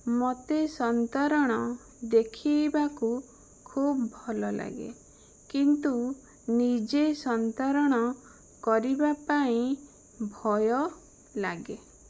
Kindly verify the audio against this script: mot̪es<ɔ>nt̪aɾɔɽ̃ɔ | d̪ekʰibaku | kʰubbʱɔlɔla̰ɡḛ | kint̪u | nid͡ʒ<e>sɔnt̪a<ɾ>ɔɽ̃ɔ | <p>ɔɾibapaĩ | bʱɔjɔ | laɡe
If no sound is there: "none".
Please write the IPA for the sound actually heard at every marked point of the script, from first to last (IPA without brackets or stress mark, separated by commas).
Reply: ɔ, e, ɾ, k